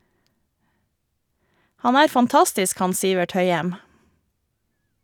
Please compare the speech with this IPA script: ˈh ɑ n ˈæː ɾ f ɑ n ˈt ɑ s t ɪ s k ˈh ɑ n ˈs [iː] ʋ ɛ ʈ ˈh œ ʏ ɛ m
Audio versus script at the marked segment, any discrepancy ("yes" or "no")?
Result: no